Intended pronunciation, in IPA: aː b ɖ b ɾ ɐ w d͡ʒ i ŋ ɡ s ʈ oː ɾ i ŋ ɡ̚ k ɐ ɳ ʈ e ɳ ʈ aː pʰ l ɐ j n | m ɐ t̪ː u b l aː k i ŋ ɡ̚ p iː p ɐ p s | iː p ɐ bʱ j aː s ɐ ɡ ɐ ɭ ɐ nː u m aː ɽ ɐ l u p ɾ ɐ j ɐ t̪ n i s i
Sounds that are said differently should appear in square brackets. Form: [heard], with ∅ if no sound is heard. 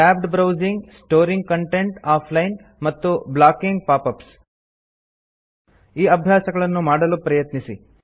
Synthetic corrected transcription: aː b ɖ b ɾ ɐ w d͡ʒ i ŋ ɡ s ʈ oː ɾ i ŋ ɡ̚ k ɐ ɳ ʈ e ɳ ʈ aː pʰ l ɐ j n | m ɐ t̪ː u b l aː k i ŋ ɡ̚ p [aː] p ɐ p s | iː [∅] ɐ bʱ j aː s ɐ ɡ ɐ ɭ ɐ nː u m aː ɽ ɐ l u p ɾ ɐ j ɐ t̪ n i s i